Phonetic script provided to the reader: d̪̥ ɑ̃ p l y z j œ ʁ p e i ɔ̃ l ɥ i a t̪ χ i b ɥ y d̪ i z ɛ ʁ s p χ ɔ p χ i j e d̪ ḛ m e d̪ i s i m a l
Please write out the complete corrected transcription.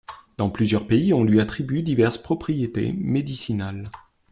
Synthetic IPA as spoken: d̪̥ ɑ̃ p l y z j œ ʁ p e i ɔ̃ l ɥ i a t̪ χ i b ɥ y d̪ i v ɛ ʁ s p χ ɔ p χ i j e t̪ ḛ m e d̪ i s i n a l